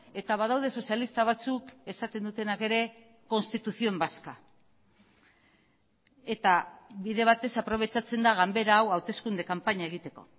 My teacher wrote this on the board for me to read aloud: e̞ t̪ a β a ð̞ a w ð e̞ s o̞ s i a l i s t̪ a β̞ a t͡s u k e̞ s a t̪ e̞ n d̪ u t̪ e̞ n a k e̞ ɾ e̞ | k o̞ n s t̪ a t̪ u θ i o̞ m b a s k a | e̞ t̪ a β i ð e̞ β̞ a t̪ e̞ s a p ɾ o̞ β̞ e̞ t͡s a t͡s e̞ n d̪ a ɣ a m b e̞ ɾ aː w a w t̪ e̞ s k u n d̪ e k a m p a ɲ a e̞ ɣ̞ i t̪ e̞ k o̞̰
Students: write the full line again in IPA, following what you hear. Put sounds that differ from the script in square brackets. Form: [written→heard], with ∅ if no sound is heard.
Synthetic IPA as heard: e̞ t̪ a β a ð̞ a w ð e̞ s o̞ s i a l i s t̪ a β̞ a t͡s u k e̞ s a t̪ e̞ n d̪ u t̪ e̞ n a k e̞ ɾ e̞ | k o̞ n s t̪ [a→i] t̪ u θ i o̞ m b a s k a | e̞ t̪ a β i ð e̞ β̞ a t̪ e̞ s a p ɾ o̞ β̞ e̞ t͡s a t͡s e̞ n d̪ a ɣ a m b e̞ ɾ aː w a w t̪ e̞ s k u n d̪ e k a m p a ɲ a e̞ ɣ̞ i t̪ e̞ k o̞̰